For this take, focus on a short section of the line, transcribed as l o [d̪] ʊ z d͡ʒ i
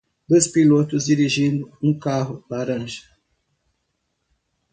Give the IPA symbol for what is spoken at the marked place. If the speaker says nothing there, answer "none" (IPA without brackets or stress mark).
t̪